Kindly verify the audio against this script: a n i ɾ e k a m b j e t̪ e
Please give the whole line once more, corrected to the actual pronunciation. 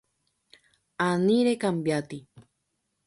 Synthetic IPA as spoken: a n i ɾ e k a m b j a t̪ i